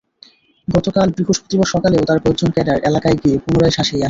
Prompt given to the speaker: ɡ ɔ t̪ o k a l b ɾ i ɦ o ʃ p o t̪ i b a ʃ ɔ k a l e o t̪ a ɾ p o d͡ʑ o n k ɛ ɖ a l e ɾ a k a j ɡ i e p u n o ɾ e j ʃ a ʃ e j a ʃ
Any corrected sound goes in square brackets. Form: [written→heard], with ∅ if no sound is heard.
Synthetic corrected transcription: ɡ ɔ t̪ o k a l b ɾ i ɦ o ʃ p o t̪ i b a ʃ ɔ k a l e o t̪ a ɾ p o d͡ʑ o n k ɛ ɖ a [l→ɾ] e [ɾ→l] a k a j ɡ i e p u n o ɾ [e→a] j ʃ a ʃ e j a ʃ